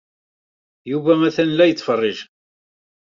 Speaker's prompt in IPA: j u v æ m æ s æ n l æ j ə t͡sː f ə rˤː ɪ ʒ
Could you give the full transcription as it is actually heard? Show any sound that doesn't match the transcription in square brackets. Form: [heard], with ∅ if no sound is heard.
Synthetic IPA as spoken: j u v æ m æ [θ] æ n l æ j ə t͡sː f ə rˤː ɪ ʒ